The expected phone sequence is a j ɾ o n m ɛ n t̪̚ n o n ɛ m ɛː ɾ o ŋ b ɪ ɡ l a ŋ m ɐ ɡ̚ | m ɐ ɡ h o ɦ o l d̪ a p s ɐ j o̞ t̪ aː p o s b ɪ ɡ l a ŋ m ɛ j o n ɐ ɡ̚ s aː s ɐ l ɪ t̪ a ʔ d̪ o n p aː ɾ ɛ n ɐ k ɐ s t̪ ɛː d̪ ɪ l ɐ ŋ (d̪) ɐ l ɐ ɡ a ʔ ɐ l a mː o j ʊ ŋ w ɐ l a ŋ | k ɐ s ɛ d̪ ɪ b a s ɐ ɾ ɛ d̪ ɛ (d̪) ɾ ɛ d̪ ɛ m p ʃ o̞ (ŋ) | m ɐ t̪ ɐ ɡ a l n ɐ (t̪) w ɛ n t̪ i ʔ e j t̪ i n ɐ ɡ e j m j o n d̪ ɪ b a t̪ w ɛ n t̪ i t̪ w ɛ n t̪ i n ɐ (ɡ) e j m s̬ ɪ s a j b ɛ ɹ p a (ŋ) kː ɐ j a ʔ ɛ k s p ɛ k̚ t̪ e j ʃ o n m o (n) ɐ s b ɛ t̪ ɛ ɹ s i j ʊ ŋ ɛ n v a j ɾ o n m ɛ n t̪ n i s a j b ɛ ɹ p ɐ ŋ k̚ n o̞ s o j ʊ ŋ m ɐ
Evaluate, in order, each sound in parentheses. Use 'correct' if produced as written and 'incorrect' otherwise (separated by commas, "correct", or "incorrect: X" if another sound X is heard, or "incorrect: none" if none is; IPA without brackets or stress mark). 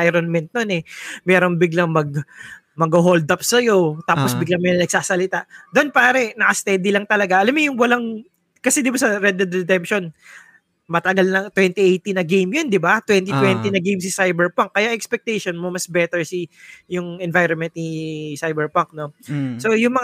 incorrect: t̪, correct, incorrect: n, correct, correct, correct, incorrect: m